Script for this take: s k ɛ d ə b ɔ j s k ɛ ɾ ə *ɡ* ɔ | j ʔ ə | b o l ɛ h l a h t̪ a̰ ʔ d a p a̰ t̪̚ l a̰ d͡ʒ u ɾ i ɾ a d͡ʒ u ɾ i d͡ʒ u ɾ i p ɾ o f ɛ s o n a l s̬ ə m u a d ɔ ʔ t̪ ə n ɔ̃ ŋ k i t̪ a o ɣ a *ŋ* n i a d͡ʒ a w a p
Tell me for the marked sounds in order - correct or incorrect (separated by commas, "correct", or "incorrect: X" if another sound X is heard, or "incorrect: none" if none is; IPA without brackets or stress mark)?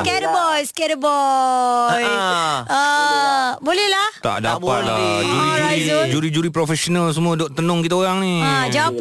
incorrect: b, correct